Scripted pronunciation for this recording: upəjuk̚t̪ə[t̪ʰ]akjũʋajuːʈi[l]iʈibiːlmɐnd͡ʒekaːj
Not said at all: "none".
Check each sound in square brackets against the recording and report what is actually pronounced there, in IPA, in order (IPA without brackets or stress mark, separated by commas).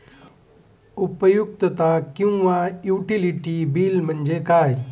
t̪, l